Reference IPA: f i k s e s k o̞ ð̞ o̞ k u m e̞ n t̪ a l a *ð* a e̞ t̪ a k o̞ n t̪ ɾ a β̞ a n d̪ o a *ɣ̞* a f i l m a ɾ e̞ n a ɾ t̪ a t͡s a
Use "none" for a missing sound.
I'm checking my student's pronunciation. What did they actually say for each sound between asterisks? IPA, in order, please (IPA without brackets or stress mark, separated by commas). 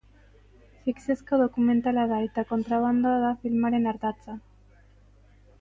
ð, ð̞